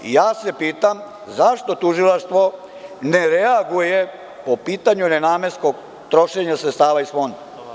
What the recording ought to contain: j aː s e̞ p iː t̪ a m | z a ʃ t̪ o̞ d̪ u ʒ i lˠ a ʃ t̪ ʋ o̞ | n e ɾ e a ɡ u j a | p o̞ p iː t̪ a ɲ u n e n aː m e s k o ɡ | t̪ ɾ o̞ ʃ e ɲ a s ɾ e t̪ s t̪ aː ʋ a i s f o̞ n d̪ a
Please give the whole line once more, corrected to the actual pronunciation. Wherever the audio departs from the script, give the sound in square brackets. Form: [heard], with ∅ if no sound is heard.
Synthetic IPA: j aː s e̞ p iː t̪ a m | z a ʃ t̪ o̞ [t̪] u ʒ i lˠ a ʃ t̪ ʋ o̞ | n e ɾ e a ɡ u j [e] | p o̞ p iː t̪ a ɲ u n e n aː m e s k o ɡ | t̪ ɾ o̞ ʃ e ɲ a s ɾ e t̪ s t̪ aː ʋ a i s f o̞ n d̪ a